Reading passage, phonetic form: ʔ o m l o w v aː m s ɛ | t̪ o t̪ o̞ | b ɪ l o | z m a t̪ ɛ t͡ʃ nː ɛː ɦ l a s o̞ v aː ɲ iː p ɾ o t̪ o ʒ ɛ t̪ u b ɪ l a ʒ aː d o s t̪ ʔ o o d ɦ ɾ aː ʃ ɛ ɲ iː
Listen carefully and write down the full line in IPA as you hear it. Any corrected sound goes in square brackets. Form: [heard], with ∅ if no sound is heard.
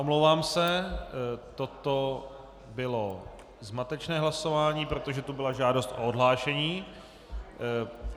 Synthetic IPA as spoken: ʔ o m l o w v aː m s ɛ | t̪ o t̪ o̞ | b ɪ l o | z m a t̪ ɛ t͡ʃ [n] ɛː ɦ l a s o̞ v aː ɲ iː p ɾ o t̪ o ʒ ɛ t̪ u b ɪ l a ʒ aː d o s t̪ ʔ o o d ɦ [l] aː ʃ ɛ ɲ iː

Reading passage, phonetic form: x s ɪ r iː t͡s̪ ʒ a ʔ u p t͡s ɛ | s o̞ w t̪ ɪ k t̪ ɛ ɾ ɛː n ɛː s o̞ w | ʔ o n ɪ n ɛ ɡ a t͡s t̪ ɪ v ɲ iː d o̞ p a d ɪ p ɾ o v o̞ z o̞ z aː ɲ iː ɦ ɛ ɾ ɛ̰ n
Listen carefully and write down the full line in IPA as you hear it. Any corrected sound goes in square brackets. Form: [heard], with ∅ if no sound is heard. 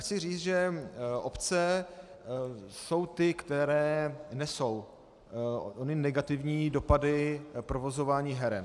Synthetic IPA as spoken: x [t͡s] ɪ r iː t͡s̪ ʒ [ɛ] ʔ [o] p t͡s ɛ | s o̞ w t̪ ɪ k t̪ ɛ ɾ ɛː n [ɛ] s o̞ w | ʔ o n ɪ n ɛ ɡ a [∅] t̪ ɪ v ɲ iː d o̞ p a d ɪ p ɾ o v o̞ z o̞ [v] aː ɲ iː ɦ ɛ ɾ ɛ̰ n

